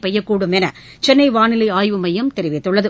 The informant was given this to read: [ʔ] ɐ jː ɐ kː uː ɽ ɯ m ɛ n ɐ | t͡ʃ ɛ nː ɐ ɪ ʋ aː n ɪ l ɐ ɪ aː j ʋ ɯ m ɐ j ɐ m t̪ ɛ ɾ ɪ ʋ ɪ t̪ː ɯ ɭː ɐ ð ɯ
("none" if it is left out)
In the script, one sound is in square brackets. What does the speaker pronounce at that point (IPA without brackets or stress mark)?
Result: p